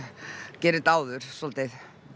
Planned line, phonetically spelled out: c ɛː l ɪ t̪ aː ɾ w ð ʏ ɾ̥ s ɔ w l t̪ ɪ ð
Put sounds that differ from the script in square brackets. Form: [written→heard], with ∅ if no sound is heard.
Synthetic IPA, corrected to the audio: c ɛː [l→ɾ] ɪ t̪ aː [ɾ→∅] w ð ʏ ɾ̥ s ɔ [w→∅] l t̪ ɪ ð